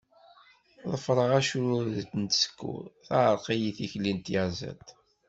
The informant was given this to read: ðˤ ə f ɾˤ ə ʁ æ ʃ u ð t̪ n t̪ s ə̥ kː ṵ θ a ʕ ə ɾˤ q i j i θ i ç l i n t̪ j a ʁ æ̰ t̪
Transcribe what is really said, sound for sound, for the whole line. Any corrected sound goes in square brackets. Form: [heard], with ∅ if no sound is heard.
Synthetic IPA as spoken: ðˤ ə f ɾˤ ə ʁ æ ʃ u ð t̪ n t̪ s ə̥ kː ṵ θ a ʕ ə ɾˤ q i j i θ i ç l i n t̪ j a [z] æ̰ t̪

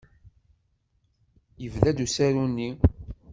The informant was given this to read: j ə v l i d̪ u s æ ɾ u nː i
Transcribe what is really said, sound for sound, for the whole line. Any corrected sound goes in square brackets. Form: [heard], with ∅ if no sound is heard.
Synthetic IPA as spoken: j ə v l [æ] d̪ u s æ ɾ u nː i

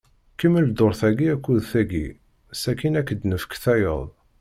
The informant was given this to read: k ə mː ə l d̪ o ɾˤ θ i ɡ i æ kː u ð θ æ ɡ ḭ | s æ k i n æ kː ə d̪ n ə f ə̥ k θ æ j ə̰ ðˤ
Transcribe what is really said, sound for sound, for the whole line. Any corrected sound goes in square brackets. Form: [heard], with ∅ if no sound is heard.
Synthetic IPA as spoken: k ə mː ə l d̪ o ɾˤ θ [æ] ɡ i æ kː u ð θ æ ɡ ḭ | s æ k i n æ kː ə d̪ n ə f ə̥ k θ æ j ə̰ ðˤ

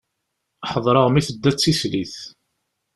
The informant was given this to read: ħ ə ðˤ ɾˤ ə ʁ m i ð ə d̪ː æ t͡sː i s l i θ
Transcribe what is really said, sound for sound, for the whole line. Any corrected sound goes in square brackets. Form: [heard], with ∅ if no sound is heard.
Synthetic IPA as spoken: ħ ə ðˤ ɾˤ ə ʁ m i [θ] ə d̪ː æ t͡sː i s l i θ

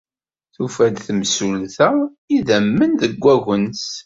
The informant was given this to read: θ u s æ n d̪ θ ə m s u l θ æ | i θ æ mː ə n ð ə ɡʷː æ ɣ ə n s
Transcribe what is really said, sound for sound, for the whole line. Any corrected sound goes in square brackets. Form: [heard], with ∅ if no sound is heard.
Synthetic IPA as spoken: θ u [f] æ [∅] d̪ θ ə m s u l θ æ | i [ð] æ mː ə n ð ə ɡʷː æ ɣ ə n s

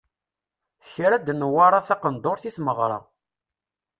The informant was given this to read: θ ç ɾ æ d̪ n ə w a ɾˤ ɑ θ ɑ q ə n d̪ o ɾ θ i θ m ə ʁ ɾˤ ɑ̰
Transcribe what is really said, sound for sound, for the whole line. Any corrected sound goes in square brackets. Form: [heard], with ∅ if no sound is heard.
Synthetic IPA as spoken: θ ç ɾ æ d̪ n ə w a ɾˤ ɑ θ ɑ q ə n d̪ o ɾ θ i θ m ə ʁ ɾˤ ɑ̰

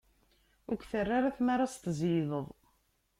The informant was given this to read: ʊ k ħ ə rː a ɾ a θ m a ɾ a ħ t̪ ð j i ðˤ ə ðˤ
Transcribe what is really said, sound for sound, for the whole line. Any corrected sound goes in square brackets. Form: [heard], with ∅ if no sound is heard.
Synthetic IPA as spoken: ʊ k [θ] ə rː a ɾ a θ m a ɾ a [s] t̪ [z] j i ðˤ ə ðˤ

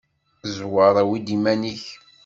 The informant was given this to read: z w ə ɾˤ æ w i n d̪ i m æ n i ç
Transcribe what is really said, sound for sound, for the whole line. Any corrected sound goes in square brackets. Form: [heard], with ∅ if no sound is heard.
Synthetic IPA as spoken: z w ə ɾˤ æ w i [∅] d̪ i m æ n i ç

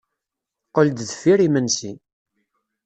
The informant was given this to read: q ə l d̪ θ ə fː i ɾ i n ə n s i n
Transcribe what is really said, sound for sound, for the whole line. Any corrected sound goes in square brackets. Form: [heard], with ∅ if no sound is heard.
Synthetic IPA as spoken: q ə l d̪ [ð] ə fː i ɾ i [m] ə n s i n

